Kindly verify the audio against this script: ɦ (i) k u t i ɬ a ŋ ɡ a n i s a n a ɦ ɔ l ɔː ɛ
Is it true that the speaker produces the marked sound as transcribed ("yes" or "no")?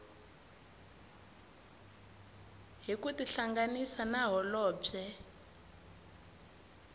yes